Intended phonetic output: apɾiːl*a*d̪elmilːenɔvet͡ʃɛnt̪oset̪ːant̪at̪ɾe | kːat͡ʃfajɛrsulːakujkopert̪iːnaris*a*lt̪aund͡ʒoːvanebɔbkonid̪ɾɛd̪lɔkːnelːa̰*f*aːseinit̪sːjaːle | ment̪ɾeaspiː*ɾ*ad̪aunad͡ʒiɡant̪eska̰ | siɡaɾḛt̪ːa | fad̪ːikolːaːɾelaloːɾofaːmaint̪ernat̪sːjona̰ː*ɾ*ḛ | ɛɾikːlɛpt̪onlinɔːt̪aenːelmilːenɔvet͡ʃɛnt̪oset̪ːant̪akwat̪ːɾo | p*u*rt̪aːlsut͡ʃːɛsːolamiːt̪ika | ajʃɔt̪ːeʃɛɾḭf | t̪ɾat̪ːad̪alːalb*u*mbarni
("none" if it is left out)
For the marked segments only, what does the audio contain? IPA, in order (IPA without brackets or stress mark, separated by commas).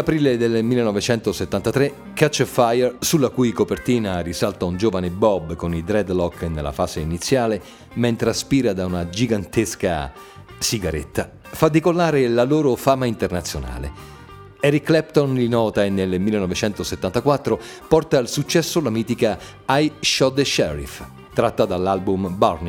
e, a, f, ɾ, l, ɔ, u